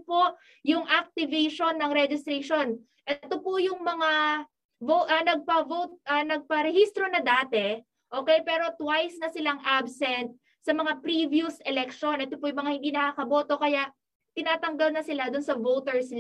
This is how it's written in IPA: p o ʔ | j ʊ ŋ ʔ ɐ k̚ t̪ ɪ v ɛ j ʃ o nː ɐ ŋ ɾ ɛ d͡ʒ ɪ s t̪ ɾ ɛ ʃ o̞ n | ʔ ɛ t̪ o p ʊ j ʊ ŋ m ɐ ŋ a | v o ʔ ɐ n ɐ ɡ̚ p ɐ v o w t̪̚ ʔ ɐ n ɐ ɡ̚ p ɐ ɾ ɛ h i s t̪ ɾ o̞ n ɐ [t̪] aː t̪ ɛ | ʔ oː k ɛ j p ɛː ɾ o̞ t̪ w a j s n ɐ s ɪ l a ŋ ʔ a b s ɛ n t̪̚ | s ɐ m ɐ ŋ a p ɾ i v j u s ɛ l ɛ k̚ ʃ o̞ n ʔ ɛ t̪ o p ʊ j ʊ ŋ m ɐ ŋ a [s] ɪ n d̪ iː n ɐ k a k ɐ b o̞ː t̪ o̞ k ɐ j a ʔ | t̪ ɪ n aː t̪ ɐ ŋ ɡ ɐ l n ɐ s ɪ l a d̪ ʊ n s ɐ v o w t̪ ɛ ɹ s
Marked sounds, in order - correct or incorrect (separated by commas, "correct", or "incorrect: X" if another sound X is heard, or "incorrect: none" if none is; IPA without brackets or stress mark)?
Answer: incorrect: d̪, incorrect: h